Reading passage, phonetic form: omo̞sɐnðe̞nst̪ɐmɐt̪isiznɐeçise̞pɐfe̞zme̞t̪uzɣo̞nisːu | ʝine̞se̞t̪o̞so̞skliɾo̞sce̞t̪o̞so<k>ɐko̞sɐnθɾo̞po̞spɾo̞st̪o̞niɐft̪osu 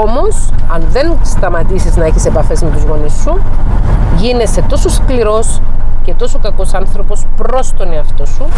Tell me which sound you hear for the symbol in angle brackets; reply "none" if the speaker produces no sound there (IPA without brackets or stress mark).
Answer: k